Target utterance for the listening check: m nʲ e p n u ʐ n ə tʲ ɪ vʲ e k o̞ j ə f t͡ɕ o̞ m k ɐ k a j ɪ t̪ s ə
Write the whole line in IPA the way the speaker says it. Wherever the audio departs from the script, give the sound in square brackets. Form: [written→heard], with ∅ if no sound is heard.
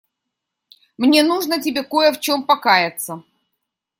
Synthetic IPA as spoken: m nʲ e [p→∅] n u ʐ n ə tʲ ɪ [vʲ→bʲ] e k o̞ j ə f t͡ɕ o̞ m [k→p] ɐ k a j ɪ t̪ s ə